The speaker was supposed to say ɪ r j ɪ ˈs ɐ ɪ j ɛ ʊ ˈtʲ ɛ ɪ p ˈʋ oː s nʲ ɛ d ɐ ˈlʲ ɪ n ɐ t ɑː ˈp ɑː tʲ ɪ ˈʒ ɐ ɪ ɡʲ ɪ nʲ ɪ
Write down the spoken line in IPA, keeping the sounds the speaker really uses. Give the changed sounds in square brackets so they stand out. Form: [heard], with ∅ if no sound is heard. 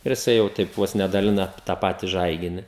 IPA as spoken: ɪ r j ɪ ˈs ɐ ɪ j ɛ ʊ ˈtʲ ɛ ɪ p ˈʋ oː s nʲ ɛ d ɐ ˈlʲ ɪ n ɐ t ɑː ˈp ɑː tʲ ɪ ˈʒ ɐ ɪ ɡʲ ɪ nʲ ɪ